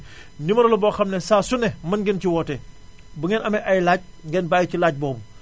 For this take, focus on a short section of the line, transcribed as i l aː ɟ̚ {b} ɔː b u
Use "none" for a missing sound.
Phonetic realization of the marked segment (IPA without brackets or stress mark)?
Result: b